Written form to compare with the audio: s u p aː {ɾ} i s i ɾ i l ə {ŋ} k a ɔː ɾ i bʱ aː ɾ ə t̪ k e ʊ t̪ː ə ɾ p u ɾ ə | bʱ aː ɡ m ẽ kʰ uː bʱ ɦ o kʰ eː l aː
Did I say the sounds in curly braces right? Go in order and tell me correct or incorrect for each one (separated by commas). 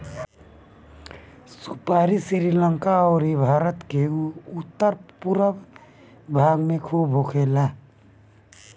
correct, correct